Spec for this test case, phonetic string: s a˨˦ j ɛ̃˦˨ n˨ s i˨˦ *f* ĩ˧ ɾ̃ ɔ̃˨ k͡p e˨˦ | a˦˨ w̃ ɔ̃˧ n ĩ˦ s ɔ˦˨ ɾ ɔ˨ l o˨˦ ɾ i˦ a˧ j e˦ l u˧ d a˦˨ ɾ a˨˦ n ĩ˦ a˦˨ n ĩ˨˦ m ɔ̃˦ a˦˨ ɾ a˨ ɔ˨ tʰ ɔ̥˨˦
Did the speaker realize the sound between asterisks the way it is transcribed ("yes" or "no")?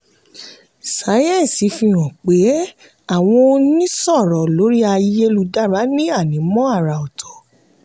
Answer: yes